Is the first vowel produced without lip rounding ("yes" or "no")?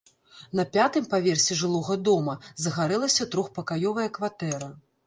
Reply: yes